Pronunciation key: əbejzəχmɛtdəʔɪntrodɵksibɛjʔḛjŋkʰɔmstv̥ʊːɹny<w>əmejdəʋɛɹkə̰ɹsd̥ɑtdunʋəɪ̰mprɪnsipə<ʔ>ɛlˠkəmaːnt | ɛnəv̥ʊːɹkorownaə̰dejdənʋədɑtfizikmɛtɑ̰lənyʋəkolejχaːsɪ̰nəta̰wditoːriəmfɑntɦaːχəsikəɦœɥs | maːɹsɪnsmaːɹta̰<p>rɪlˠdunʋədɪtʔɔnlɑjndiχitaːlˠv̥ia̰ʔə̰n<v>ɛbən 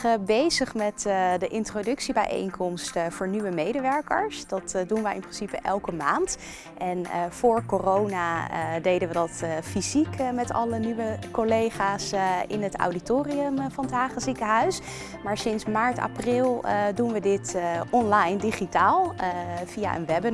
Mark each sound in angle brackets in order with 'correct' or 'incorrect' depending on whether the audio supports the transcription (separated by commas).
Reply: incorrect, correct, correct, incorrect